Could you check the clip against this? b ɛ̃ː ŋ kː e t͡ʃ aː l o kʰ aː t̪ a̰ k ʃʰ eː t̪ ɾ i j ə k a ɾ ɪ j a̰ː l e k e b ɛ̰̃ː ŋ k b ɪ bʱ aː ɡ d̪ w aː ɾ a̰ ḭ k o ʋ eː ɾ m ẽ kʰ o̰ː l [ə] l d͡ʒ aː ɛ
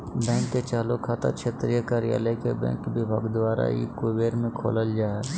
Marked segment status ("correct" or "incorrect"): correct